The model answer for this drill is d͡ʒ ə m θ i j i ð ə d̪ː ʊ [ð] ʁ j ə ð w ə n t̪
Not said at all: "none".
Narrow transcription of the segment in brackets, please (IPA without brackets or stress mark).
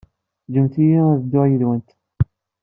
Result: none